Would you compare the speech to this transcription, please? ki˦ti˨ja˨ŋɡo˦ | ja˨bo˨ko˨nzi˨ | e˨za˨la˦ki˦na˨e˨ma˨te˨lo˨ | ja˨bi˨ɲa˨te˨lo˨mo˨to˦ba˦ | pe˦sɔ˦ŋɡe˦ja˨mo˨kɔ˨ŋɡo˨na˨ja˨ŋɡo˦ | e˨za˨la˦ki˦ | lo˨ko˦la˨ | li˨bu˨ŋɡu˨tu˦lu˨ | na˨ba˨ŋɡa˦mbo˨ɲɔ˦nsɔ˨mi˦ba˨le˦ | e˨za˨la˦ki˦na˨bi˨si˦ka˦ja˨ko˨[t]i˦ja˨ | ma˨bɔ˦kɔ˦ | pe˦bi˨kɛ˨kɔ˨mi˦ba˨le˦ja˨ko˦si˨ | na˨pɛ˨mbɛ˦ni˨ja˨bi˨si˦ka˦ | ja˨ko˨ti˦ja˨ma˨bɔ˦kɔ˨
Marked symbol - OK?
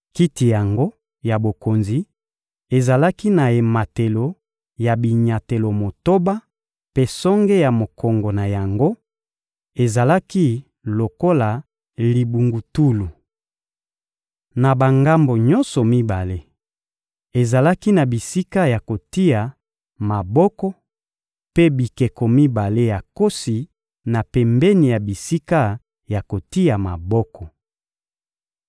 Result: yes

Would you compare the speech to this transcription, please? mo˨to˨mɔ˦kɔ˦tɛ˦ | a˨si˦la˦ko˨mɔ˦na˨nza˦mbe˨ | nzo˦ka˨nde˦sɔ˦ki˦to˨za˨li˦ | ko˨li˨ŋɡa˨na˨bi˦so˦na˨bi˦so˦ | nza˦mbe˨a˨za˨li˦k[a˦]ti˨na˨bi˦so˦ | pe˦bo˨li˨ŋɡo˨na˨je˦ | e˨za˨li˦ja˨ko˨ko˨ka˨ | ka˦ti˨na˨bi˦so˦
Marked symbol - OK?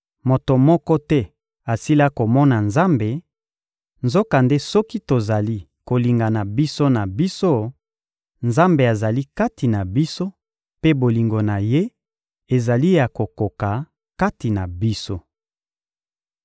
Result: yes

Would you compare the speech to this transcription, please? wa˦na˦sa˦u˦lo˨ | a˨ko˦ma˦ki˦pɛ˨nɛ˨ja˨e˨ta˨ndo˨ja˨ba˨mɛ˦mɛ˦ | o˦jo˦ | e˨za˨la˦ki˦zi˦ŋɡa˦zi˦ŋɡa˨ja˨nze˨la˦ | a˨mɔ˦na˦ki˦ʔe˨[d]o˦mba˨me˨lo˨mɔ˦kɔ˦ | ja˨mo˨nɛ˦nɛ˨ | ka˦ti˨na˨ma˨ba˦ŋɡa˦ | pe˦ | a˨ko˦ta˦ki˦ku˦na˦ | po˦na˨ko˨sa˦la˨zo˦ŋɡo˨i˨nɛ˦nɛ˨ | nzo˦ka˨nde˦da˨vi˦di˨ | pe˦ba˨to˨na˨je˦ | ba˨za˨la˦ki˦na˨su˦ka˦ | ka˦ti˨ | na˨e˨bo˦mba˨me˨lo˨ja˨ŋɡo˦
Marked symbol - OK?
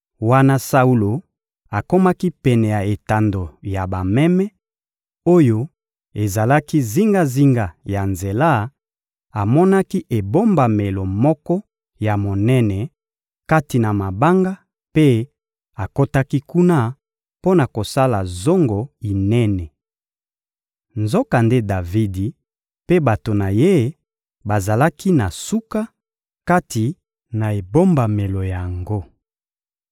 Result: no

